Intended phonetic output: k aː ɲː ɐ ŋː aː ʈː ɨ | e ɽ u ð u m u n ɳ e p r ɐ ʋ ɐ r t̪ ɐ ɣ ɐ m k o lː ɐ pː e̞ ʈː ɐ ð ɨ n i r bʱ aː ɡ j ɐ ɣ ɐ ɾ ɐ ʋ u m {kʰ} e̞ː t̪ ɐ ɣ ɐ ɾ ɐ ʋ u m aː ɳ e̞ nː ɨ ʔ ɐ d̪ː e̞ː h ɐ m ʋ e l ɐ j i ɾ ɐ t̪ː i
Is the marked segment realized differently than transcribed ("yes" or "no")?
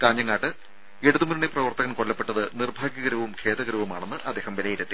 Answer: no